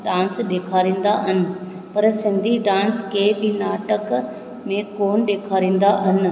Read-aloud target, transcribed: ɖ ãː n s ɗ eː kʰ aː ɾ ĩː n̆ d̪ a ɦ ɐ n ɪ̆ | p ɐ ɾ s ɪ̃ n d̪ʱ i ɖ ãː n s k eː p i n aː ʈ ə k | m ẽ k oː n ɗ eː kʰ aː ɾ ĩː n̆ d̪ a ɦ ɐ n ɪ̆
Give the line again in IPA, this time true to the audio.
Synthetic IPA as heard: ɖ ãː n s ɗ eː kʰ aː ɾ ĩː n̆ d̪ a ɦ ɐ n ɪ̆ | p ɐ ɾ s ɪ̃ n d̪ʱ i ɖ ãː n s k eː b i n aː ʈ ə k | m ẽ k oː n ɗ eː kʰ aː ɾ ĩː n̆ d̪ a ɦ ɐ n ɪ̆